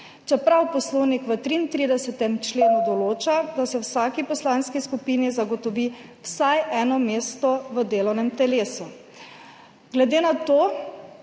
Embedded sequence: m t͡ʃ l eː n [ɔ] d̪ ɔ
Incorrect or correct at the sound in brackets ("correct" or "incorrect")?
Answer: incorrect